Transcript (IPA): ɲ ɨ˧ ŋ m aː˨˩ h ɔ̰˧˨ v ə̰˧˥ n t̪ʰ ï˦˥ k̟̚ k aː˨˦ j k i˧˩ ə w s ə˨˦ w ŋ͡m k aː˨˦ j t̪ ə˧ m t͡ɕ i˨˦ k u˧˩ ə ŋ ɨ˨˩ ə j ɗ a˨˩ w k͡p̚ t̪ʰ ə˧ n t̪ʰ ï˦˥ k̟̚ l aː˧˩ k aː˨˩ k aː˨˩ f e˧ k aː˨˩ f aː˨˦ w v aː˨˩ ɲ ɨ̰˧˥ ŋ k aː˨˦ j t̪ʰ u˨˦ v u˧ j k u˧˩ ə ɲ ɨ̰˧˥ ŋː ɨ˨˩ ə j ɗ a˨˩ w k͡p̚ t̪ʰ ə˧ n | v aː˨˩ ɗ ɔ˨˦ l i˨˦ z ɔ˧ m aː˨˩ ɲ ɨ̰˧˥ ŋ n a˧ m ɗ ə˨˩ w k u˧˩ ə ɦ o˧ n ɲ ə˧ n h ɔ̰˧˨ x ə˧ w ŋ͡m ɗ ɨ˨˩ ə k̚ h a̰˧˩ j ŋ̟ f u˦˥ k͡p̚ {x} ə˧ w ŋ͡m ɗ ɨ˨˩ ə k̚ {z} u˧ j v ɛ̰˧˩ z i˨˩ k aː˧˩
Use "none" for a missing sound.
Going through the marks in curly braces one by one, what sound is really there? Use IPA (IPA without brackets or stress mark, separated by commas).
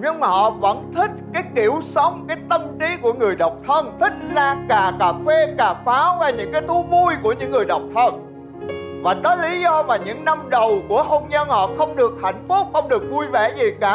x, v